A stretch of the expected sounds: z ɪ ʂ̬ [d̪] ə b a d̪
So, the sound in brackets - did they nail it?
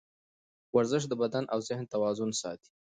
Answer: yes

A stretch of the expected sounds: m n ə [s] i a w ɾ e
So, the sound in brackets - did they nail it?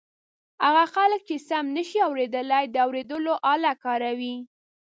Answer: no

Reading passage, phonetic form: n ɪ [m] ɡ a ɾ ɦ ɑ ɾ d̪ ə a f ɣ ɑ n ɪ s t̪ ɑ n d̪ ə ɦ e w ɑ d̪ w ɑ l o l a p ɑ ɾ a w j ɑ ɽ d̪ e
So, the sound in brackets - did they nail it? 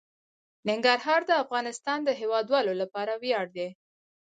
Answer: no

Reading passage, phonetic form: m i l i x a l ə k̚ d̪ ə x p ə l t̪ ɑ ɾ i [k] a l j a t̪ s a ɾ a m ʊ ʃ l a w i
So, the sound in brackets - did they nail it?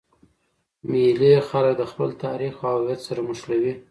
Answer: no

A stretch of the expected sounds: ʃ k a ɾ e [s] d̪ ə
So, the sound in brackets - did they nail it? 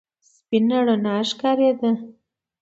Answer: no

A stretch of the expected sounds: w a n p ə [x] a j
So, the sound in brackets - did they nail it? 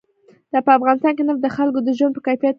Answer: no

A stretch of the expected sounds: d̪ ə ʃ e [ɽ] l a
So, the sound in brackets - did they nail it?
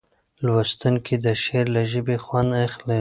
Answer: no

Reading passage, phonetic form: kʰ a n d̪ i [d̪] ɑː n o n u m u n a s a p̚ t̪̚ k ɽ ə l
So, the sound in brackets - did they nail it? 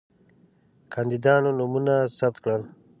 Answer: yes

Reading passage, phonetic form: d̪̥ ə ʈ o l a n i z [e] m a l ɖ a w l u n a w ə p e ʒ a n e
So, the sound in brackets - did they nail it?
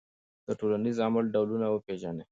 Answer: no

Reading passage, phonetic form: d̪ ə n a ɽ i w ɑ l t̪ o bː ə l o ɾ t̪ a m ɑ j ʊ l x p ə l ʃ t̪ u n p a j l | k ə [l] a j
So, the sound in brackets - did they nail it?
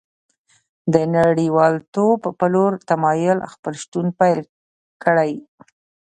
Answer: no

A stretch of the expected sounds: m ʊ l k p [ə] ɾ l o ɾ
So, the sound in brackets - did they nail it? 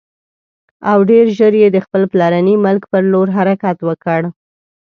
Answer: yes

